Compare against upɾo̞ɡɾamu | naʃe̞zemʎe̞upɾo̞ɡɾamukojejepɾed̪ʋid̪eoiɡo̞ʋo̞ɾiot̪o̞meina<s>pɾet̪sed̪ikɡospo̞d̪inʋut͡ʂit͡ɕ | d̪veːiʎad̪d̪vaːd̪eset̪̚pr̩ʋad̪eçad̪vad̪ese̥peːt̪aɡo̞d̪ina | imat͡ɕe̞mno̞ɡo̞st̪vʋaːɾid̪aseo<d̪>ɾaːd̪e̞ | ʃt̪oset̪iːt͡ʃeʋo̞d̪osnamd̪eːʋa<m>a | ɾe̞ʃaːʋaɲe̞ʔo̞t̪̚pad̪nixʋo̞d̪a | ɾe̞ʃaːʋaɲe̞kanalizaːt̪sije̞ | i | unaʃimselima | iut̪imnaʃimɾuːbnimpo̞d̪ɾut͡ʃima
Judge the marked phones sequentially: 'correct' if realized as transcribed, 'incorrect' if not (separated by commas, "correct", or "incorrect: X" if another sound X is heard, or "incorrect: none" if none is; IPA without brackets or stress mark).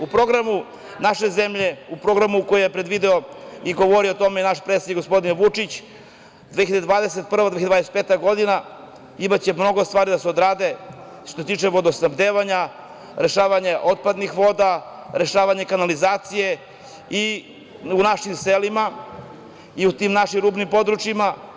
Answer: incorrect: ʃ, correct, incorrect: ɲ